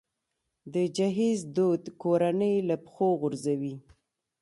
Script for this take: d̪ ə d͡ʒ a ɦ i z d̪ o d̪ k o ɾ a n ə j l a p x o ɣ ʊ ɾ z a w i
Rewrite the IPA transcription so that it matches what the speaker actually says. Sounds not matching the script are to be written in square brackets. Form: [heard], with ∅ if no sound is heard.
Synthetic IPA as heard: d̪ ə d͡ʒ a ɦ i z d̪ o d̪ k o ɾ a n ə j l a p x o ɣ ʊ ɾ z a w i